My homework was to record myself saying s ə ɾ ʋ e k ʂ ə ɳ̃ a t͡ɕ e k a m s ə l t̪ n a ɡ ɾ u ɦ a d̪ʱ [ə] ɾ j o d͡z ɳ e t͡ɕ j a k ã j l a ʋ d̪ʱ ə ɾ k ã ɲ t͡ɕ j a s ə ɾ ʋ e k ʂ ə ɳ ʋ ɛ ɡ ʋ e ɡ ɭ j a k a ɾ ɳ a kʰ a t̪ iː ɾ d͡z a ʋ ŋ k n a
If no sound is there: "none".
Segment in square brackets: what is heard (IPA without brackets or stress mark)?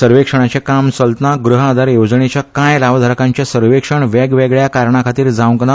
a